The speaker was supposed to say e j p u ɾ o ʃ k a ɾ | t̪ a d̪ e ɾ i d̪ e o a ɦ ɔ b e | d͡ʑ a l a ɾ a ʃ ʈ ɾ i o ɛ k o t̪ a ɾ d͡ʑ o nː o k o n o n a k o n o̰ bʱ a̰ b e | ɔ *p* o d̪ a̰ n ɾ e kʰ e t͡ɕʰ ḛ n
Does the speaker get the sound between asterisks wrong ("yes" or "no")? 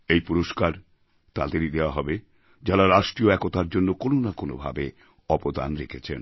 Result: no